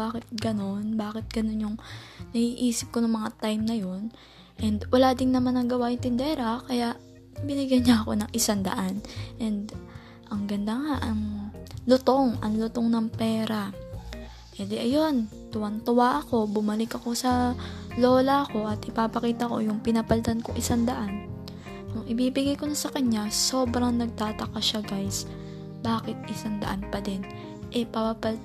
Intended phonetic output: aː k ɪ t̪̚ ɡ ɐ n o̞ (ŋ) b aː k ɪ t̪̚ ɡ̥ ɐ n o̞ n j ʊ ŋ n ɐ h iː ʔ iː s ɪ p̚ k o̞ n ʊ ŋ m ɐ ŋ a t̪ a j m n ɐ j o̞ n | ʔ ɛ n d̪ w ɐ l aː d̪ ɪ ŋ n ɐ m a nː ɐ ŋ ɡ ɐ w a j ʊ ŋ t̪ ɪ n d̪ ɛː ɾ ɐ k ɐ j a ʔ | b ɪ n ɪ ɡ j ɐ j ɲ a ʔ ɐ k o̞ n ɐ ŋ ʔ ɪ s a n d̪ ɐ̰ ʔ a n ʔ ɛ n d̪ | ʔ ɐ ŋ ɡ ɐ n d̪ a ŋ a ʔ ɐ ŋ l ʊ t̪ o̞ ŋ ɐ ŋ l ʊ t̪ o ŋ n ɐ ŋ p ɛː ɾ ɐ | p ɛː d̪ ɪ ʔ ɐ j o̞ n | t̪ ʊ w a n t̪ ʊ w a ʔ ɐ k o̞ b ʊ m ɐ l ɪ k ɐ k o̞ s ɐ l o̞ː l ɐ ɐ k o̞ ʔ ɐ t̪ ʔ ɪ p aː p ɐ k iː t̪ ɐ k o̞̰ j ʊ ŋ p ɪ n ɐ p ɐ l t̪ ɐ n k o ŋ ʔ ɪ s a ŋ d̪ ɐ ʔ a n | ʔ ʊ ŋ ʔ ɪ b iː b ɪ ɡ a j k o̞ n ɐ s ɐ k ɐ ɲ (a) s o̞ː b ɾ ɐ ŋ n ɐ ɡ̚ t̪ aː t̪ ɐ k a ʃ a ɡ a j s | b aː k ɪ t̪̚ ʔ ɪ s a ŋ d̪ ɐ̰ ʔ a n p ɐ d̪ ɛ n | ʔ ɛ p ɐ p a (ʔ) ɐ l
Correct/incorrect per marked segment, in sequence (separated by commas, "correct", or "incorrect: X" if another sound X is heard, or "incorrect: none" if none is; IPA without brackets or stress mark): incorrect: n, correct, incorrect: p